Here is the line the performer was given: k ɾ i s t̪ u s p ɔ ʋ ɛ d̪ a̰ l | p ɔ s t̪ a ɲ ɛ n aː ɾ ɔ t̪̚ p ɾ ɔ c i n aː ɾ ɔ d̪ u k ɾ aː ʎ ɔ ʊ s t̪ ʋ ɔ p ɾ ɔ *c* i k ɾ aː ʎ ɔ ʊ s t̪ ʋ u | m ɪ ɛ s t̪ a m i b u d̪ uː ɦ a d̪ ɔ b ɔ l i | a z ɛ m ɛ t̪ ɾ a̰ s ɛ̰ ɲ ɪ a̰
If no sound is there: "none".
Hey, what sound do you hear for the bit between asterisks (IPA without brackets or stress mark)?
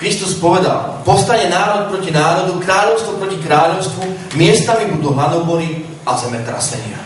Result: c